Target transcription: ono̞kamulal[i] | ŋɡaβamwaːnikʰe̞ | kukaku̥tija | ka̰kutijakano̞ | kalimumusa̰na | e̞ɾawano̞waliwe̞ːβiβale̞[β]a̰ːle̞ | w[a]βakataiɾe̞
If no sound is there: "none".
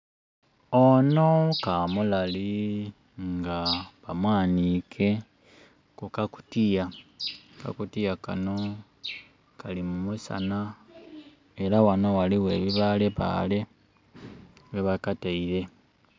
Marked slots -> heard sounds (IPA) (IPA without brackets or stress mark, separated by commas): i, β, e